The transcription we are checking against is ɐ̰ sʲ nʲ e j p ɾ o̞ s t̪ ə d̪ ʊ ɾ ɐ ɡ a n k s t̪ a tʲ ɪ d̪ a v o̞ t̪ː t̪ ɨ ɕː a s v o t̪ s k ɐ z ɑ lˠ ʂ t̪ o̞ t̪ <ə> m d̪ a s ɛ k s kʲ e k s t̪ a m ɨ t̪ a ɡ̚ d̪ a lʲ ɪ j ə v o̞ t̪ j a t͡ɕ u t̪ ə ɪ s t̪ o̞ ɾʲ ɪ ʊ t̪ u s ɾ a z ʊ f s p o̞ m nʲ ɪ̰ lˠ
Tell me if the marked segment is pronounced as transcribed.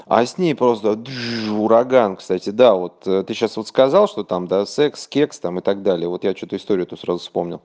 no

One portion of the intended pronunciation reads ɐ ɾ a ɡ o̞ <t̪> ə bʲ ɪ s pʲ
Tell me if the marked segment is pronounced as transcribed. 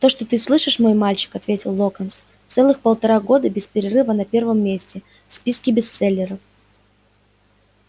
no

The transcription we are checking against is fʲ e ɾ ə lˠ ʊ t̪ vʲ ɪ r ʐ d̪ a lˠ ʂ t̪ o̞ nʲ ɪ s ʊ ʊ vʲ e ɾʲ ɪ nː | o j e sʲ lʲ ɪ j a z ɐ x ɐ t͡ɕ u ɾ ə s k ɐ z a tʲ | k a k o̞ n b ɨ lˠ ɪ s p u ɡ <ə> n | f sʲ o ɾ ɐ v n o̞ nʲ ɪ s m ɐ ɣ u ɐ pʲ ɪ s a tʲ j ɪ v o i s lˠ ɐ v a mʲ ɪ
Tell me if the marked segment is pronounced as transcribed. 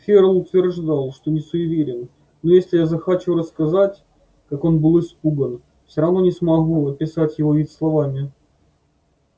yes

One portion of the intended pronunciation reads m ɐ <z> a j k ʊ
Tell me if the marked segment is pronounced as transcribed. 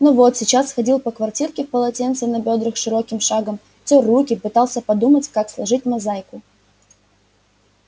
yes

